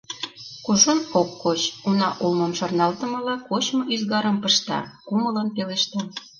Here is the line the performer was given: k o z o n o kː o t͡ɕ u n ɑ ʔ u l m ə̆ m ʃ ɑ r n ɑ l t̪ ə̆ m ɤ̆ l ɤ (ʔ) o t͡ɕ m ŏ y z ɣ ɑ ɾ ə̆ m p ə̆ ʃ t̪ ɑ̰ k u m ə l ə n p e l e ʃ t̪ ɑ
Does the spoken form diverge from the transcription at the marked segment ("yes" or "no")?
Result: yes